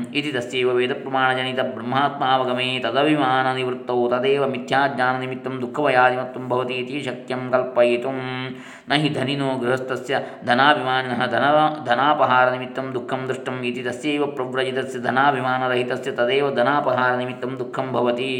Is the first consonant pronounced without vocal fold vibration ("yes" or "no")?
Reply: yes